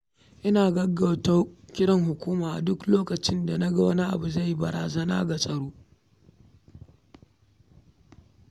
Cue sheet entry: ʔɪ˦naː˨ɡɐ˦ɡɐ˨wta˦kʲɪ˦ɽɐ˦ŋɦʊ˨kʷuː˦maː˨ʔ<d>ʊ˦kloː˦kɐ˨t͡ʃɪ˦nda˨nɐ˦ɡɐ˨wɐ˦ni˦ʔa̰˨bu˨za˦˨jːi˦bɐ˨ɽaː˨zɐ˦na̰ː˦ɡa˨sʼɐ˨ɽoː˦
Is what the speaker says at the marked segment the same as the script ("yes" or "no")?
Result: yes